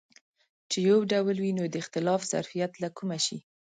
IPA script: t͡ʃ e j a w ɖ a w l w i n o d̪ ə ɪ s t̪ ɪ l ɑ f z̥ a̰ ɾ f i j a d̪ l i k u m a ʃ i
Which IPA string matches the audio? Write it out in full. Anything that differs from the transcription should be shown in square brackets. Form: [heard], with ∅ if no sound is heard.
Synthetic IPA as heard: t͡ʃ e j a w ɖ a w l w i n o d̪ ə ɪ [x] t̪ ɪ l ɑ f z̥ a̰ ɾ f i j a [t̪] l [a] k u m a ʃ i